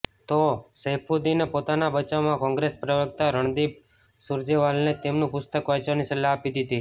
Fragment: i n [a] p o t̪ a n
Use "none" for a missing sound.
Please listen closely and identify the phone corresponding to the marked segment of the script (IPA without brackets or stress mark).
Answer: e